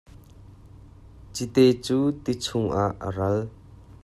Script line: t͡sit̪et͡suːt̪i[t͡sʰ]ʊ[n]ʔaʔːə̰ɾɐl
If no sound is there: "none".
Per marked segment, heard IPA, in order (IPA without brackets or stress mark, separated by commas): t͡sʰ, ŋ